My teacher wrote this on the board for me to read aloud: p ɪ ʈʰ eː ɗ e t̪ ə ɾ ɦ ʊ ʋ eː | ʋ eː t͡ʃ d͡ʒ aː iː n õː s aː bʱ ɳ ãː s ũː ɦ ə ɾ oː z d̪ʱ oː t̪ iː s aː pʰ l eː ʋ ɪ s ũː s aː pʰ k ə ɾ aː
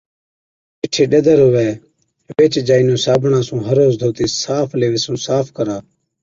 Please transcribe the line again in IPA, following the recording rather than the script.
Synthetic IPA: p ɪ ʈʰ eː ɗ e d̪ ə ɾ ɦ ʊ ʋ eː | ʋ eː t͡ʃ d͡ʒ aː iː n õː s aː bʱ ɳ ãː s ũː ɦ ə ɾ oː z d̪ʱ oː t̪ iː s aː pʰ l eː ʋ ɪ s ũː s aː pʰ k ə ɾ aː